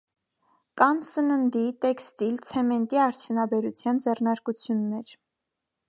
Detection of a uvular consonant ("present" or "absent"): absent